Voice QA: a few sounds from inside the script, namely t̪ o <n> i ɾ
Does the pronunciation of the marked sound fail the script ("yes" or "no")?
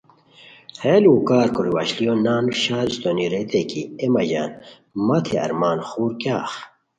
no